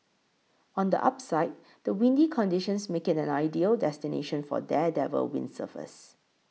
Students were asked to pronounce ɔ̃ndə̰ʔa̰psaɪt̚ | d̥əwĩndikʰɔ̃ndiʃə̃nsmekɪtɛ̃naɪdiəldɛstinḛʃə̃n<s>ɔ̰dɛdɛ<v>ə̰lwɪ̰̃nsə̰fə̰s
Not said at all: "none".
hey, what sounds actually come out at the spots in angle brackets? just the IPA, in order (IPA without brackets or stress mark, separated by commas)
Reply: f, v